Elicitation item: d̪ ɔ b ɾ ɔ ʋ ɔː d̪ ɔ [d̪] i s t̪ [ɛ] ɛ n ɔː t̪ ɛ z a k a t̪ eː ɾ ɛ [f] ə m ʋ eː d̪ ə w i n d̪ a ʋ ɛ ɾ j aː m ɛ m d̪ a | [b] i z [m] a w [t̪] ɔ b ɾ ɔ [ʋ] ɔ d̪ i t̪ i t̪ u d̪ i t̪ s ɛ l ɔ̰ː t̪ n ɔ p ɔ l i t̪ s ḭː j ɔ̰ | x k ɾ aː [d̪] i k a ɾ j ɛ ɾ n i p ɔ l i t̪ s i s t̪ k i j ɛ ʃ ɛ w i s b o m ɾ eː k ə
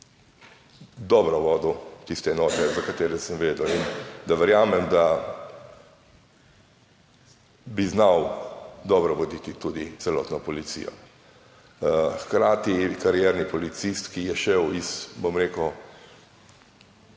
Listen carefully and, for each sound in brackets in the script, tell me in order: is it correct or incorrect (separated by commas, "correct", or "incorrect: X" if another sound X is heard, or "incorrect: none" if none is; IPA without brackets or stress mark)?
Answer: incorrect: t̪, correct, incorrect: s, correct, incorrect: n, incorrect: d̪, correct, incorrect: t̪